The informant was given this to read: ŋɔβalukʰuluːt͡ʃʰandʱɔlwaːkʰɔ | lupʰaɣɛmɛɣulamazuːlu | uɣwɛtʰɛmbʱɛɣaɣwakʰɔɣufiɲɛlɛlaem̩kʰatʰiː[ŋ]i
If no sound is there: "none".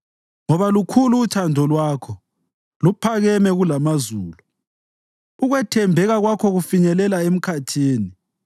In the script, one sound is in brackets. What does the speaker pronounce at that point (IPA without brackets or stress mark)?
n